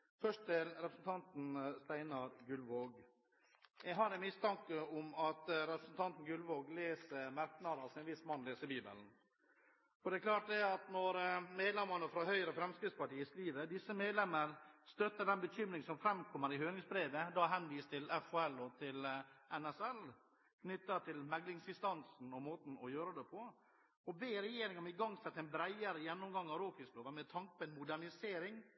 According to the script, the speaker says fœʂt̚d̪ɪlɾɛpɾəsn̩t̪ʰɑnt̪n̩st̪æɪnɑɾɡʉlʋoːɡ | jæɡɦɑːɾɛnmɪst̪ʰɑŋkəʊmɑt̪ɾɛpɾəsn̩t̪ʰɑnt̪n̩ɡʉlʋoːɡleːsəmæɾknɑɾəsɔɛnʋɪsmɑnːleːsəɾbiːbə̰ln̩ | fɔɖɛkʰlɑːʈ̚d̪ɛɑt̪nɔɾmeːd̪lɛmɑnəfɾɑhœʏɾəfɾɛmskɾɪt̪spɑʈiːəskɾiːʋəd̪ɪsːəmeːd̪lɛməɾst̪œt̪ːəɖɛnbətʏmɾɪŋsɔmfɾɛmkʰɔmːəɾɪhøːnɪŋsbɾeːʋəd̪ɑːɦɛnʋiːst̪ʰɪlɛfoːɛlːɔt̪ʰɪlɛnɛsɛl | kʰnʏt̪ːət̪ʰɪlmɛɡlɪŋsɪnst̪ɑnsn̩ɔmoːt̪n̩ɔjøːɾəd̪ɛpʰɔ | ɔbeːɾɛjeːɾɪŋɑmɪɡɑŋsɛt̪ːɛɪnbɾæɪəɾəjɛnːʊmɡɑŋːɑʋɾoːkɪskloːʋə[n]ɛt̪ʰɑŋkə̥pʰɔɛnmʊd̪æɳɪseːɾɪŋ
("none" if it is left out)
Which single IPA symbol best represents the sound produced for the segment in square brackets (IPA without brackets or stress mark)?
m